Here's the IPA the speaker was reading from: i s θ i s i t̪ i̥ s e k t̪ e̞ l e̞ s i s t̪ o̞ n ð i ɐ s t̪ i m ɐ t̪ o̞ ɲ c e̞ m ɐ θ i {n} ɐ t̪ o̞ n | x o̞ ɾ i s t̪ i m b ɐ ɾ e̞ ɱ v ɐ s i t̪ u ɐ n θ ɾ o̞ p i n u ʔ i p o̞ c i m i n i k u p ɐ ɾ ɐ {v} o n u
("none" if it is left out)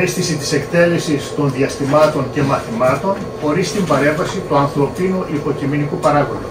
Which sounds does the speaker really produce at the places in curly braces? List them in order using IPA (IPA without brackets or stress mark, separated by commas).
m, ɣ